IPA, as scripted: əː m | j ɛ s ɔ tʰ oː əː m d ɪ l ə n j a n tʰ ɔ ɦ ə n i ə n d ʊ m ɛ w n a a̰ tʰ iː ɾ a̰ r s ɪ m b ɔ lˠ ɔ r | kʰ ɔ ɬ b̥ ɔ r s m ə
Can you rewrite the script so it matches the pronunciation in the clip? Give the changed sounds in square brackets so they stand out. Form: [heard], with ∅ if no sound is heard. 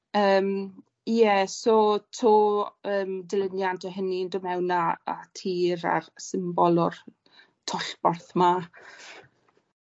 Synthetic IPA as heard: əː m | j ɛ s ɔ tʰ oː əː m d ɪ l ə n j a n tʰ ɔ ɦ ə n i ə n d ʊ m ɛ w n a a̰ tʰ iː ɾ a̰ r s ɪ m b ɔ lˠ ɔ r | [tʰ] ɔ ɬ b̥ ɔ r [θ] m [a]